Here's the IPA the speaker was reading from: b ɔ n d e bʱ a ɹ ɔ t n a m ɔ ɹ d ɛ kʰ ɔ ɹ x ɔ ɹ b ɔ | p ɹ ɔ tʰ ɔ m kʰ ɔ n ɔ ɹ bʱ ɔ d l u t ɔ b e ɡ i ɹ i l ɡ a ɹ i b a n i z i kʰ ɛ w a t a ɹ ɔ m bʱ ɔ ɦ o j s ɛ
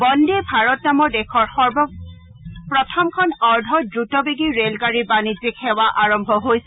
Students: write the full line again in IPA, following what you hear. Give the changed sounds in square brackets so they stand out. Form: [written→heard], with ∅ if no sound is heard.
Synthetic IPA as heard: b ɔ n d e bʱ a ɹ ɔ t n a m ɔ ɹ d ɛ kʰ ɔ ɹ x ɔ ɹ b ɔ | p ɹ ɔ tʰ ɔ m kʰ ɔ n ɔ ɹ [bʱ→dʱ] ɔ d [l→ɹ] u t ɔ b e ɡ i ɹ [i→e] l ɡ a ɹ i b a n i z i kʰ ɛ w a [t→ʔ] a ɹ ɔ m bʱ ɔ ɦ o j s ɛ

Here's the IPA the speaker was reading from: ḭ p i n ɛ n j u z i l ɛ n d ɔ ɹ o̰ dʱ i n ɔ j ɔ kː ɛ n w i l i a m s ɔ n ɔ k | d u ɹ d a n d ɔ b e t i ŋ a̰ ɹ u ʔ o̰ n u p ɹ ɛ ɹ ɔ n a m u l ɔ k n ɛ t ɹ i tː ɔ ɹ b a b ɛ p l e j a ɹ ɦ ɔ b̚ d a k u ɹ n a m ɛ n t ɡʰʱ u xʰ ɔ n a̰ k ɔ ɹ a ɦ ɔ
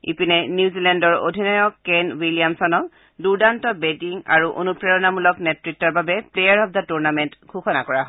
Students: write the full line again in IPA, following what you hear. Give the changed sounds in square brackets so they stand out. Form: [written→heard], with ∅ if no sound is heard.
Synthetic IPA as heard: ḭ p i n ɛ n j u z i l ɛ n d ɔ ɹ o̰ dʱ i n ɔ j ɔ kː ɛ n w i l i a m s ɔ n ɔ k | d u ɹ d a n [d→t] ɔ b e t i ŋ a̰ ɹ u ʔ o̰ n u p ɹ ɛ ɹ ɔ n a m u l ɔ k n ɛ t ɹ i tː ɔ ɹ b a b ɛ p l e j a ɹ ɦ ɔ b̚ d a [k→t] u ɹ n a m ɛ n t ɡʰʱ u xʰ ɔ n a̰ k ɔ ɹ a ɦ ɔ

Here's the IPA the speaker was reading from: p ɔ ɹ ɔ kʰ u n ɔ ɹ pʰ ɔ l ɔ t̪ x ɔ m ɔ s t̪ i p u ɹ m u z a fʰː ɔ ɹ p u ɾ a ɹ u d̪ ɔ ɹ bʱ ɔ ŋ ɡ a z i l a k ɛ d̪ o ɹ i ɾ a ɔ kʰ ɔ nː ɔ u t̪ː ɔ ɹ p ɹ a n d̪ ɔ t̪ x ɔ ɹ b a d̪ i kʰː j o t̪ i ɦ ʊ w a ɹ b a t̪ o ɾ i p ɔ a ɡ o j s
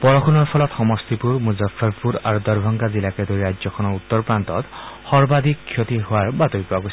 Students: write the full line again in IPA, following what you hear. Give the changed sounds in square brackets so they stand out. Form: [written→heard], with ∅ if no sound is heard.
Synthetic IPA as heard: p ɔ ɹ ɔ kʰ u n ɔ ɹ pʰ ɔ l ɔ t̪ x ɔ m ɔ s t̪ i p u ɹ m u z a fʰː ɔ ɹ p u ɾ a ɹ u d̪ ɔ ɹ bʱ ɔ ŋ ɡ a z i l a k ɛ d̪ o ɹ i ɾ a ɔ kʰ ɔ [nː→n] ɔ u t̪ː ɔ ɹ p ɹ a n [d̪→t̪] ɔ t̪ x ɔ ɹ b a d̪ i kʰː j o t̪ i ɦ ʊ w a ɹ b a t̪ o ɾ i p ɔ a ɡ o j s

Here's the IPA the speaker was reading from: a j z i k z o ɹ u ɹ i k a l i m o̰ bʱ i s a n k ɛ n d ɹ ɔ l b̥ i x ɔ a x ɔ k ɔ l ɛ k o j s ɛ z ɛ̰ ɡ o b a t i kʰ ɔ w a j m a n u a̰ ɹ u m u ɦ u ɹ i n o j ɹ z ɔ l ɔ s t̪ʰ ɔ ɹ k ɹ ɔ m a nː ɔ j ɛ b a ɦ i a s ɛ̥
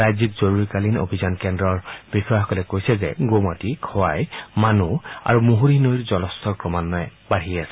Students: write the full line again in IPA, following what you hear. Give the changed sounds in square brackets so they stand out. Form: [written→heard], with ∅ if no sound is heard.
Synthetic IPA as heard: a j z i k z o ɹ u ɹ i k a l i [m→n] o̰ bʱ i [s→z] a n k ɛ n d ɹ ɔ [l→ɹ] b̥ i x ɔ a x ɔ k ɔ l ɛ k o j s ɛ z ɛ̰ ɡ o [b→m] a t i kʰ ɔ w a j m a n u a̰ ɹ u m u ɦ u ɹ i n o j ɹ z ɔ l ɔ s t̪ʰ ɔ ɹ k ɹ ɔ m a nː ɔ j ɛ b a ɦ i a s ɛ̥

